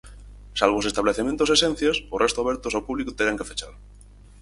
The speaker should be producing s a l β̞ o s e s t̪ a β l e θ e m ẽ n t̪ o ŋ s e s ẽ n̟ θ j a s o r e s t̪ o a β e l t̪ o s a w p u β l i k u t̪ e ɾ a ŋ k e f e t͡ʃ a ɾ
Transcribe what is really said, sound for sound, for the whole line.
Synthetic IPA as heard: s a l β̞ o s e s t̪ a β l e θ e m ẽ n t̪ o s e s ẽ n̟ θ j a s o r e s t̪ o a β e ɾ t̪ o s a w p u β l i k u t̪ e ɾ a ŋ k e f e t͡ʃ a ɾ